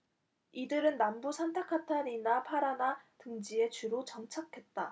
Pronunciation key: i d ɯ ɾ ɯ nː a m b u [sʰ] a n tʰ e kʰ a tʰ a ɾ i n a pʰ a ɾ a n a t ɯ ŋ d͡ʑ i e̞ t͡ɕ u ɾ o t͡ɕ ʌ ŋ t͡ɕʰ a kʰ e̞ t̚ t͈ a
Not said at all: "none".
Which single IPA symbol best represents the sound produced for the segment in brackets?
sʰ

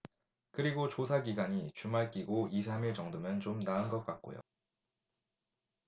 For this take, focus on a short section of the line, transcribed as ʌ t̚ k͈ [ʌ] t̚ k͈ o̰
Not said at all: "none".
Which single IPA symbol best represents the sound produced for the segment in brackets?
a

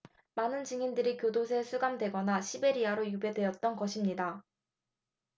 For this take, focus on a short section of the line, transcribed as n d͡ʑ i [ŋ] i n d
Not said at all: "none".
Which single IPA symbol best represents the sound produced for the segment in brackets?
ŋ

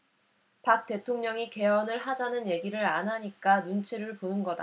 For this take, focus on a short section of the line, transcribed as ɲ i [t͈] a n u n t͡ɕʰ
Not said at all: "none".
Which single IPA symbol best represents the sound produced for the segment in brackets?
k͈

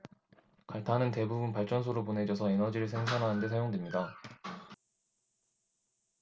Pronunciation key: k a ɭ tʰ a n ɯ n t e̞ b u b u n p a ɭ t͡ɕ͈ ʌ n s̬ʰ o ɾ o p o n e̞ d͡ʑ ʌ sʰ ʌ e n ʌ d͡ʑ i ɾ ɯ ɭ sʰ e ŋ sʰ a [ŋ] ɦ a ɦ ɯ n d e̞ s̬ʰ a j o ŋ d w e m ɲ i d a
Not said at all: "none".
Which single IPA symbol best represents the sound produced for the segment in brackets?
n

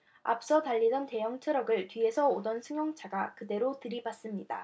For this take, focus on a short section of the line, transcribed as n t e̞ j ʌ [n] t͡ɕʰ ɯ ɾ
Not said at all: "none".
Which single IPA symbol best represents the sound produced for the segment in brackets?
ŋ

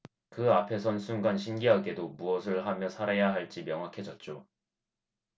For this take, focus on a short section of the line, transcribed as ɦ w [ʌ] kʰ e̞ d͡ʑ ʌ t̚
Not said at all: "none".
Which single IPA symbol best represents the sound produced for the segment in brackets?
a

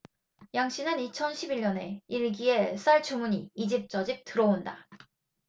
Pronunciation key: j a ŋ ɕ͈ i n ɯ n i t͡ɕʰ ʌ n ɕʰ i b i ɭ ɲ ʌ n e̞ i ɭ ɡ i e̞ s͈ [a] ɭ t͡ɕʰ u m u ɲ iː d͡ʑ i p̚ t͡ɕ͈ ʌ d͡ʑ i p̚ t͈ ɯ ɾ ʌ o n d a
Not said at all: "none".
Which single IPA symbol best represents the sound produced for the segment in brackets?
a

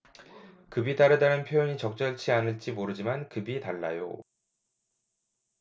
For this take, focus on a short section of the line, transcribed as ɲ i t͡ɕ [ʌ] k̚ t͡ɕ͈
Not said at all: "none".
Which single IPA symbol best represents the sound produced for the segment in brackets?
ʌ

